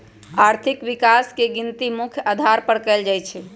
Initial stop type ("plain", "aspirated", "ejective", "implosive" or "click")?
aspirated